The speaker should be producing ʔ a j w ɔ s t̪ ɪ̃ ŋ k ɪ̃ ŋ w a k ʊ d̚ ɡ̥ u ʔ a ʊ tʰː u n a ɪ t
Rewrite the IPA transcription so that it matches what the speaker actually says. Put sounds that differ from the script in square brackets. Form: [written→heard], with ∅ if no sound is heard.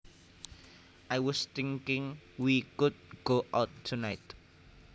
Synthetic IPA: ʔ a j w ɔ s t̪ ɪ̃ ŋ k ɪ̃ ŋ w [a→i] k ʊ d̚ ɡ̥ [u→o] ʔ a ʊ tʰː u n a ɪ t